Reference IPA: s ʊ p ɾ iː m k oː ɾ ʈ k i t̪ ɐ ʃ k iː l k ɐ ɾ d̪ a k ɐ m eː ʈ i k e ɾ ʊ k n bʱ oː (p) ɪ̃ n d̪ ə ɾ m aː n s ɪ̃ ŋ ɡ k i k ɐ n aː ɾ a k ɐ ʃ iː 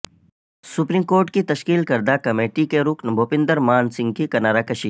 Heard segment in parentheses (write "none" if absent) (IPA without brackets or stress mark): p